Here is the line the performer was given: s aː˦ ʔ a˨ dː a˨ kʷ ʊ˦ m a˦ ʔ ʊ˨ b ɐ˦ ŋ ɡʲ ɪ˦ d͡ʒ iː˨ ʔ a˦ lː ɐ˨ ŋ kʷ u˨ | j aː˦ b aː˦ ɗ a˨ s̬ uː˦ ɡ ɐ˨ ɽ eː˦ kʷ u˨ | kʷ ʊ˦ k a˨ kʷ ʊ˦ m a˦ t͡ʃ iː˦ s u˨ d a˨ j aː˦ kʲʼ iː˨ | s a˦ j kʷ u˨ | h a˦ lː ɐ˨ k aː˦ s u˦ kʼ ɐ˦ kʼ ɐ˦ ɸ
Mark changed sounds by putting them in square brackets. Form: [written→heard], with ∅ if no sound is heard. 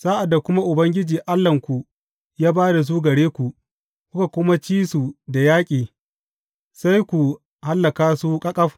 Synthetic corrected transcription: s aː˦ ʔ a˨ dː a˨ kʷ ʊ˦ m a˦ ʔ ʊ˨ b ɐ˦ ŋ ɡʲ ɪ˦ d͡ʒ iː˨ ʔ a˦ lː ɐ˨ ŋ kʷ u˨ | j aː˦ b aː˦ [ɗ→d] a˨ s̬ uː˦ ɡ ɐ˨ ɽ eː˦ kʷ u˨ | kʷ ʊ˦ k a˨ kʷ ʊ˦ m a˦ t͡ʃ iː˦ s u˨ d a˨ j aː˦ kʲʼ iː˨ | s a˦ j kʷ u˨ | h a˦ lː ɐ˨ k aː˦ s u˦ kʼ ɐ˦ kʼ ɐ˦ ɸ